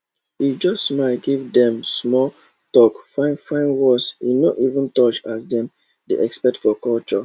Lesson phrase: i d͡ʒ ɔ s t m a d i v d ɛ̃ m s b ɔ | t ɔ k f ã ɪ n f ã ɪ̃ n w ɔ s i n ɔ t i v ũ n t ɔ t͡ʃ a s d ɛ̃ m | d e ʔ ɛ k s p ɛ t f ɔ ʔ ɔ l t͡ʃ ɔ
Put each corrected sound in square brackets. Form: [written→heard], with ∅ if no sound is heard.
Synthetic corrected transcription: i d͡ʒ ɔ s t m a [d→ɡ] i v d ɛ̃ m s [b→m] ɔ | t ɔ k f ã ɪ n f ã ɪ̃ n w ɔ s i n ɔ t i v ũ n t ɔ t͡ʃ a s d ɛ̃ m | d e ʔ ɛ k s p ɛ t f ɔ [ʔ→k] ɔ l t͡ʃ ɔ